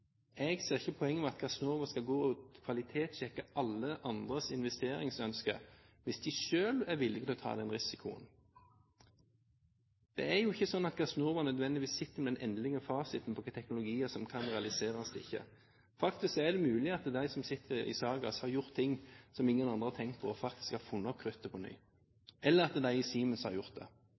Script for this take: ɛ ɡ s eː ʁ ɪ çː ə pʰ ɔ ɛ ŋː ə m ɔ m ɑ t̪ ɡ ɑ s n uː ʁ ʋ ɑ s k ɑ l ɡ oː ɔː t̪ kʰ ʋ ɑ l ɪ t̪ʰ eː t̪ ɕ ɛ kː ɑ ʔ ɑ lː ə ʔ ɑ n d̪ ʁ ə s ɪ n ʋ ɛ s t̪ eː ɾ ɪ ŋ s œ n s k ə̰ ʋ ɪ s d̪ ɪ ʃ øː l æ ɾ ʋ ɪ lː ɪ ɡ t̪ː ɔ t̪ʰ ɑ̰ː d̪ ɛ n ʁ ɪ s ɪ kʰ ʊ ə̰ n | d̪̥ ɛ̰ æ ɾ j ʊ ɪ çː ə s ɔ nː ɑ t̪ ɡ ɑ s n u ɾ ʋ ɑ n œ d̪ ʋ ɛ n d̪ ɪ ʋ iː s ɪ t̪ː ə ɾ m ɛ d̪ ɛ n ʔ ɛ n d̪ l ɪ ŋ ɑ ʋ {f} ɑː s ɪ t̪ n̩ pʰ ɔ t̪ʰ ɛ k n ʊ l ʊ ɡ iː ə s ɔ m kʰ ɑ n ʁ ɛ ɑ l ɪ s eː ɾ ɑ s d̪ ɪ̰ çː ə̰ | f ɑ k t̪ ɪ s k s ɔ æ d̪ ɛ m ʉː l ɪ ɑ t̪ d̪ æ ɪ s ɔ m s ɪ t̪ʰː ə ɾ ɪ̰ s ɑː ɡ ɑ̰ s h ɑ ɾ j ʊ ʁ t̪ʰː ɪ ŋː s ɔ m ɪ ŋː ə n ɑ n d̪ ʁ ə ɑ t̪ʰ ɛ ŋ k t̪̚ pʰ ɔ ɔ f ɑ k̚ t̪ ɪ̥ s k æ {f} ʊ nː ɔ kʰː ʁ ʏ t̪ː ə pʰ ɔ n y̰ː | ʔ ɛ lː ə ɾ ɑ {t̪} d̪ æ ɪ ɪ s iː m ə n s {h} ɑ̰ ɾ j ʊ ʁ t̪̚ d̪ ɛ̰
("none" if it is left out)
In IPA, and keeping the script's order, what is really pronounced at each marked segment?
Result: f, f, t̪, h

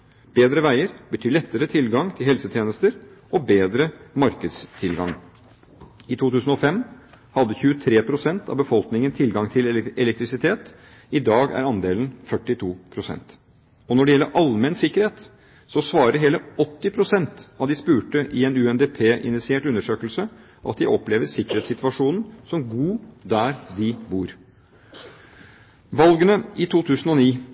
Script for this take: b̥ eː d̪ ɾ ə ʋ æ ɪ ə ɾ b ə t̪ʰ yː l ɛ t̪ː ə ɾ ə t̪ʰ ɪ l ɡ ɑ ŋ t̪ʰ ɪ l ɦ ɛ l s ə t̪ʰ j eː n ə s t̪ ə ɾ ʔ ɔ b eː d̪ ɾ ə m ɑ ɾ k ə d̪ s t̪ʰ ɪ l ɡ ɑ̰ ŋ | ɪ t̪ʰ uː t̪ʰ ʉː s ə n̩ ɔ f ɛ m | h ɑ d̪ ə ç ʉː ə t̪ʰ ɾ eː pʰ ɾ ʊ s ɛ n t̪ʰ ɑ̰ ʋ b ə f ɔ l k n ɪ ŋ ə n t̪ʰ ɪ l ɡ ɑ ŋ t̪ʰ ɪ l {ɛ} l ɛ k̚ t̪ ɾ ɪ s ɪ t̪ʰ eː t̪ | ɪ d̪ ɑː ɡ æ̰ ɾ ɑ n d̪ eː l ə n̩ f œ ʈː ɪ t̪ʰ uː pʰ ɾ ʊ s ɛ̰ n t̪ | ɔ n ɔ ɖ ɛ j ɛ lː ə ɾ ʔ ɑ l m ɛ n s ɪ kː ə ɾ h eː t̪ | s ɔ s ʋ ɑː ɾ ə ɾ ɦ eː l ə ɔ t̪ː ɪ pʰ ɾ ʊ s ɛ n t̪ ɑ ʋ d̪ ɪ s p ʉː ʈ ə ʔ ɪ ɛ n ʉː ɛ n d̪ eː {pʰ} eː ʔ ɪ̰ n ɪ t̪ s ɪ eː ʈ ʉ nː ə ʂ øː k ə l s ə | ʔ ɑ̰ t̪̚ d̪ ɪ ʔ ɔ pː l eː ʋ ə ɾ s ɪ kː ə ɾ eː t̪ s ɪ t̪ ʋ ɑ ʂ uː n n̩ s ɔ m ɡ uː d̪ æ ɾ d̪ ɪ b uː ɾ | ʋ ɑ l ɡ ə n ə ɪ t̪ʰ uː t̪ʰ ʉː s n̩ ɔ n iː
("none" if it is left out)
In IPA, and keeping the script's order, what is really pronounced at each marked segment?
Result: ɛ, pʰ

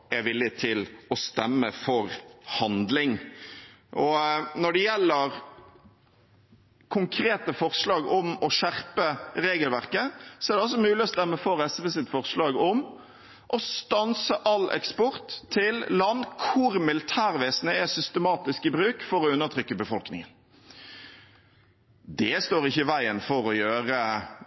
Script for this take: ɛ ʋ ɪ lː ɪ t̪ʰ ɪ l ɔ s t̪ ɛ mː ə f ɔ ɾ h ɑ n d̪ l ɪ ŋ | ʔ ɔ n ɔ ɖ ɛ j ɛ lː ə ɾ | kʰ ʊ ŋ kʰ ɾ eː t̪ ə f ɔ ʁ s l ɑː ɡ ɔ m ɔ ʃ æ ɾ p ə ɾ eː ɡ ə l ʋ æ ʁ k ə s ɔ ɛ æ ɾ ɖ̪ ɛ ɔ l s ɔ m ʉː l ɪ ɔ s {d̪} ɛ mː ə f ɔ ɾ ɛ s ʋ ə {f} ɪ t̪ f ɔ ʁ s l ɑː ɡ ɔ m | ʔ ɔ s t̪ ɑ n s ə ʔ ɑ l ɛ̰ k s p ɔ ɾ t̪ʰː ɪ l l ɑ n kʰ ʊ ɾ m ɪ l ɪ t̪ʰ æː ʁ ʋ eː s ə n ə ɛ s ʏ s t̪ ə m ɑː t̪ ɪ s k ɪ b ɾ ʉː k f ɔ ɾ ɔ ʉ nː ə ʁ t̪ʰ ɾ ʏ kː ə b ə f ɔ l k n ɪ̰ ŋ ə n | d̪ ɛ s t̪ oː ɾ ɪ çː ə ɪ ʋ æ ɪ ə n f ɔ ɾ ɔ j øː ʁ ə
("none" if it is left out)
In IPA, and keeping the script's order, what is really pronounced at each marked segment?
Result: t̪, s

